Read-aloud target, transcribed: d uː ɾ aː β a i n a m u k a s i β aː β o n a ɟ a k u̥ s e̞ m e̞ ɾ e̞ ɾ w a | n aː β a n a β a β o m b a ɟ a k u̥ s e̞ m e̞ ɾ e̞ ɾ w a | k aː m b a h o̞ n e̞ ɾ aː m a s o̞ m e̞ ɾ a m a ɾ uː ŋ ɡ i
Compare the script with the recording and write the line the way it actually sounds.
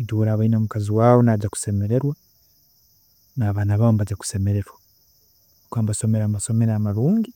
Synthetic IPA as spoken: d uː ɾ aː β a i n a m u k a z i w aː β o n a ɟ a k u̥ s e̞ m e̞ ɾ e̞ ɾ w a | n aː β a n a β a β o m b a ɟ a k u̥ s e̞ m e̞ ɾ e̞ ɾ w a | k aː m b a s o̞ m e̞ ɾ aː m a s o̞ m e̞ ɾ a m a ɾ uː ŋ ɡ i